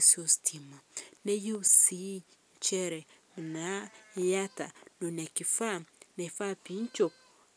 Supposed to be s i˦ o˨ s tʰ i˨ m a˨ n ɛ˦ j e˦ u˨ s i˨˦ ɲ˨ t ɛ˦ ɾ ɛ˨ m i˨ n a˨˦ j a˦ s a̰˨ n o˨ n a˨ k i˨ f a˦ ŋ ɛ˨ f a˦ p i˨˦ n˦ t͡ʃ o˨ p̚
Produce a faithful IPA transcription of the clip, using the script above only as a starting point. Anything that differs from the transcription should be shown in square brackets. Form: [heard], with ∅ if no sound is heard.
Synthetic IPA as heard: s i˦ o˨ s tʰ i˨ m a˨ n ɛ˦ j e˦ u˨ s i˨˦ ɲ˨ [t͡ʃ] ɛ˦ ɾ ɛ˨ m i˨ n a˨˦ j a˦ [t] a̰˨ n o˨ n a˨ k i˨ f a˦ [n] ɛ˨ f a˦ p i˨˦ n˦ t͡ʃ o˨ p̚